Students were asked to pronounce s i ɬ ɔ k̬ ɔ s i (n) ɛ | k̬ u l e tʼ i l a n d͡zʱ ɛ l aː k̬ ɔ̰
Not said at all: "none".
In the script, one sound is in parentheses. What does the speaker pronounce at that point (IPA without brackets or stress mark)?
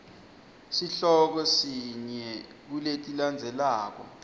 ɲ